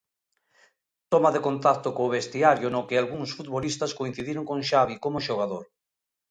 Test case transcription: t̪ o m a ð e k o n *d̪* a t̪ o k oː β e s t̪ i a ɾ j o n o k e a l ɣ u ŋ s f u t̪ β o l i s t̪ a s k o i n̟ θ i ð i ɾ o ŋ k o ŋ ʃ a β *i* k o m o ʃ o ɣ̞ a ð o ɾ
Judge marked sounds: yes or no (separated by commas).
no, yes